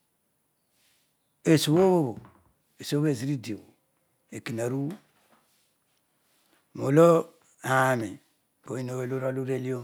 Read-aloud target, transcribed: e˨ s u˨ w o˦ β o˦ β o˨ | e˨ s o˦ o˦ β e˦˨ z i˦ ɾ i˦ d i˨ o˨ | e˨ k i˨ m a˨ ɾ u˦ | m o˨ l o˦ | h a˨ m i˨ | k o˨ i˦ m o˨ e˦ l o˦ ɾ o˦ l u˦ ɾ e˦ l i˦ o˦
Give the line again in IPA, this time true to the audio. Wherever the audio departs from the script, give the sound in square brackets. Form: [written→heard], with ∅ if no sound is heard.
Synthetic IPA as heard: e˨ s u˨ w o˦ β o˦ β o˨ | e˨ s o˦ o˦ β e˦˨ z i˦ ɾ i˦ d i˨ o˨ | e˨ k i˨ [m→n] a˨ ɾ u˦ | m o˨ l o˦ | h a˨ m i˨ | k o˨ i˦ [m→n] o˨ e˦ l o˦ ɾ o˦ l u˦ ɾ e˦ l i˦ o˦